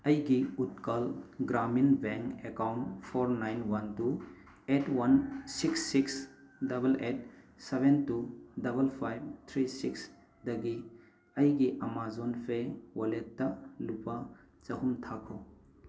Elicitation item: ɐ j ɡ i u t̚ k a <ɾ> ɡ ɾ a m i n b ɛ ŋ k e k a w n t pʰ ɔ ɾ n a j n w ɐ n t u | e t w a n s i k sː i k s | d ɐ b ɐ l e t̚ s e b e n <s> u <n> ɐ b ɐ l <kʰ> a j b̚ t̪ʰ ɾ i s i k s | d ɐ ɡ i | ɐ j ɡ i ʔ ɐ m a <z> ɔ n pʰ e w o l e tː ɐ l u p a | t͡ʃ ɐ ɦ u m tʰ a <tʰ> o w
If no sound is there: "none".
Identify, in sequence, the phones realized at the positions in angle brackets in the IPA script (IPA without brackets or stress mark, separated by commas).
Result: l, t, d, pʰ, z, kʰ